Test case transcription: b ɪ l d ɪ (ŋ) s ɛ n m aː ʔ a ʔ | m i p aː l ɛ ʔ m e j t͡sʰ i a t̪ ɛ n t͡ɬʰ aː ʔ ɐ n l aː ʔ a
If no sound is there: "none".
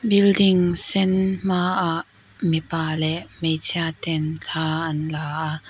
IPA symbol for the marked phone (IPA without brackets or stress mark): ŋ